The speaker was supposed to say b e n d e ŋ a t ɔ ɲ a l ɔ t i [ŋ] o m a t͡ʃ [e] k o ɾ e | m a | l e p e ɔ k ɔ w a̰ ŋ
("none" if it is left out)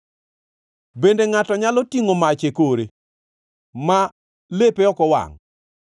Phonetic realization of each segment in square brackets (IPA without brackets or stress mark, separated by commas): ŋ, e